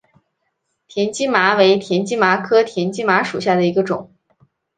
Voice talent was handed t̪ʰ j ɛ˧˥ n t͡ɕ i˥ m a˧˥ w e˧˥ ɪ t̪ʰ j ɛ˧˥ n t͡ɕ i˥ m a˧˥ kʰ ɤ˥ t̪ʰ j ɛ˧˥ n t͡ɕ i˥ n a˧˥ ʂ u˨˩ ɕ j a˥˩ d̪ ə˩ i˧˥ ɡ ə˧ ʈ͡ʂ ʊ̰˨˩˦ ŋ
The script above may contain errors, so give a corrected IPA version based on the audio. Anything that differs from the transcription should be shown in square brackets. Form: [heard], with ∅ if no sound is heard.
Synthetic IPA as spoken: t̪ʰ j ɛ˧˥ n t͡ɕ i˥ m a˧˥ w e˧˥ ɪ t̪ʰ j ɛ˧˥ n t͡ɕ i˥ m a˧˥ kʰ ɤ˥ t̪ʰ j ɛ˧˥ n t͡ɕ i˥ [m] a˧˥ ʂ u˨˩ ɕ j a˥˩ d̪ ə˩ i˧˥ ɡ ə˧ ʈ͡ʂ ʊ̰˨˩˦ ŋ